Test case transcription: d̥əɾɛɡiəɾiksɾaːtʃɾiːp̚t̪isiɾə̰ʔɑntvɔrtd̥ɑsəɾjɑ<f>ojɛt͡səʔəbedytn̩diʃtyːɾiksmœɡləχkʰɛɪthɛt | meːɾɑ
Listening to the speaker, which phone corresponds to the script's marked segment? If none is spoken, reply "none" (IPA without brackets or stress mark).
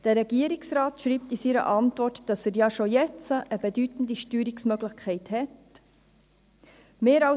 ʃ